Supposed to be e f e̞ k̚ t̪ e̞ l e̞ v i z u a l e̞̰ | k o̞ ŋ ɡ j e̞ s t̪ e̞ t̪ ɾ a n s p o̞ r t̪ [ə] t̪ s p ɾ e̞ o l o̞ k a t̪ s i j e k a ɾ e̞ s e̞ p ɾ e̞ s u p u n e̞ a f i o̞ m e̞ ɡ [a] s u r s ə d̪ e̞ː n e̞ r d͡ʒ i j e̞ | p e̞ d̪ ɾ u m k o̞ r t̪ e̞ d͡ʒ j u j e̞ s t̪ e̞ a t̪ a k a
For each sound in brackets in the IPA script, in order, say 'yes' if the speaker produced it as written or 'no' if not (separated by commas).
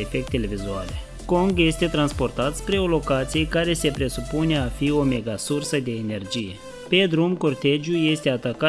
no, yes